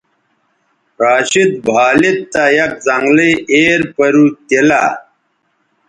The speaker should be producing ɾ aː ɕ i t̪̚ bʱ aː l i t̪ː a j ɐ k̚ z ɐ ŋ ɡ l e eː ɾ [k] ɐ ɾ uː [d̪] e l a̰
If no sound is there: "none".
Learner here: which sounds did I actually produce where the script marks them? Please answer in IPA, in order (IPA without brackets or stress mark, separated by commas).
p, t̪